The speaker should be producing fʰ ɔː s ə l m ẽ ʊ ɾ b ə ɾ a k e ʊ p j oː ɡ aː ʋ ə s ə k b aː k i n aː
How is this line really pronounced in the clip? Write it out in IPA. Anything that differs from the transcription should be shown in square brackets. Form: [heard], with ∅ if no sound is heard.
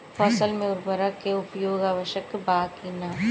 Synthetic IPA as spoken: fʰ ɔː s ə l m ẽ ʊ ɾ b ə ɾ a k e ʊ p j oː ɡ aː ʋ ə [ʃ] ə k b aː k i n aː